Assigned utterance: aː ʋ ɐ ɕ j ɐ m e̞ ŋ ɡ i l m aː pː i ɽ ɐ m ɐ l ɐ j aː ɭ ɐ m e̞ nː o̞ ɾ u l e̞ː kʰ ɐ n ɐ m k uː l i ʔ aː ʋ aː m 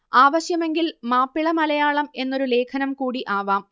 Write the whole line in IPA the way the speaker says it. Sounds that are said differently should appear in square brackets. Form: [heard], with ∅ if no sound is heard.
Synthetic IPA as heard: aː ʋ ɐ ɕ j ɐ m e̞ ŋ ɡ i l m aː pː i [ɭ] ɐ m ɐ l ɐ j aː ɭ ɐ m e̞ nː o̞ ɾ u l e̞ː kʰ ɐ n ɐ m k uː [ɽ] i ʔ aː ʋ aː m